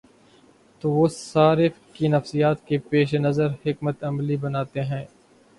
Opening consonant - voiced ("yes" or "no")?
no